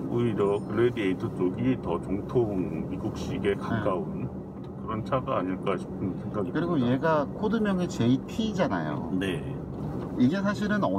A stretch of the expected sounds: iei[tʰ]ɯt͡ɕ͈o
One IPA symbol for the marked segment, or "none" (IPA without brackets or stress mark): tʰ